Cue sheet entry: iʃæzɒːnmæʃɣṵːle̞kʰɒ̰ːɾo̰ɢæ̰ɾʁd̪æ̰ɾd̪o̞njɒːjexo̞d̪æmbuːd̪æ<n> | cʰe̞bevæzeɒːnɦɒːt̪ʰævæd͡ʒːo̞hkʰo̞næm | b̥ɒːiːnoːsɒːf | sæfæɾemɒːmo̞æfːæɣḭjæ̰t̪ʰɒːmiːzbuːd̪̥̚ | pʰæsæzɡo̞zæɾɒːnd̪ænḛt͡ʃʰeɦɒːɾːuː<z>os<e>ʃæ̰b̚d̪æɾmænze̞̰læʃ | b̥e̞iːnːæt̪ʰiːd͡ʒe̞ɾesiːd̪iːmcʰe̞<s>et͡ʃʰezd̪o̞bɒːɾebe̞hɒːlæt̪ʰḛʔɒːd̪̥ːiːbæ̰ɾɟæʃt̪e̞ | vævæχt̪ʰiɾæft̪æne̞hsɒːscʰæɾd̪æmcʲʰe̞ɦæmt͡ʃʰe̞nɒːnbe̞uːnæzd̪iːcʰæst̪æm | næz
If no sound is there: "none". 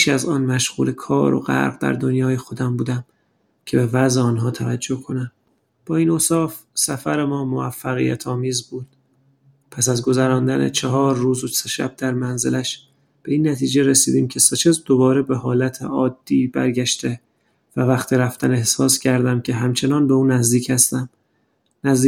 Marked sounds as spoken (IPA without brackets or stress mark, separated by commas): m, z, e, s